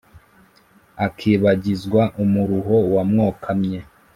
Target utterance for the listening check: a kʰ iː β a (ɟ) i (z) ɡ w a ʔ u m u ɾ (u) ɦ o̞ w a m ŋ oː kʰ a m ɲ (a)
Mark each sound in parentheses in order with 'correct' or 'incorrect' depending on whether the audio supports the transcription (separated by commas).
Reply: correct, correct, correct, incorrect